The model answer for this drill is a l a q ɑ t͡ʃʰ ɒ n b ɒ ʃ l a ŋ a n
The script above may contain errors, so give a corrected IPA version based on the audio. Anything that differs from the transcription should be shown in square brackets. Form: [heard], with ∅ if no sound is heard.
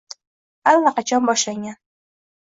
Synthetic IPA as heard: a [lː] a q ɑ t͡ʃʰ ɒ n b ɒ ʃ l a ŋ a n